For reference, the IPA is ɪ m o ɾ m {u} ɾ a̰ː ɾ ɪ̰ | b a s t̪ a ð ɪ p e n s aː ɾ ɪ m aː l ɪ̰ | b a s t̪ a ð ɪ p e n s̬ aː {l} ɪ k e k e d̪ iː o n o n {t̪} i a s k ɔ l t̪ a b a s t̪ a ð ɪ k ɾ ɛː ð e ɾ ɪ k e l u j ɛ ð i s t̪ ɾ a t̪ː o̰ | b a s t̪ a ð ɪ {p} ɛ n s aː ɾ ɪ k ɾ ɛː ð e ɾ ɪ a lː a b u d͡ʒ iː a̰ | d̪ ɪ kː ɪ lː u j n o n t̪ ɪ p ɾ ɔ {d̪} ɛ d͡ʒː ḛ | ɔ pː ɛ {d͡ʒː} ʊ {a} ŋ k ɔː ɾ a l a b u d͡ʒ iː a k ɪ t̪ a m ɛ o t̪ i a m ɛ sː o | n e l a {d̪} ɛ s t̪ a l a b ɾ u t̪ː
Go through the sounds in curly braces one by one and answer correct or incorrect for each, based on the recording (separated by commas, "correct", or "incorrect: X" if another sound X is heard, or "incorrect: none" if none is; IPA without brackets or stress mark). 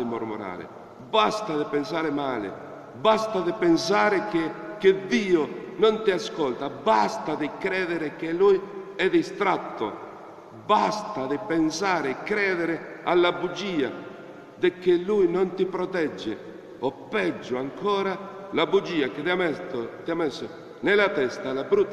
incorrect: o, incorrect: ɾ, correct, correct, incorrect: t̪, correct, correct, incorrect: t̪